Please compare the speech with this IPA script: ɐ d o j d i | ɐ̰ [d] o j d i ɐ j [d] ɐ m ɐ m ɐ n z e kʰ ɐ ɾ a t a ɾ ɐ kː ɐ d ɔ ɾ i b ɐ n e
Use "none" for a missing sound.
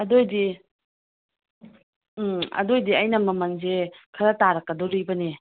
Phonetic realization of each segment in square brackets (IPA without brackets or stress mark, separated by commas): d, n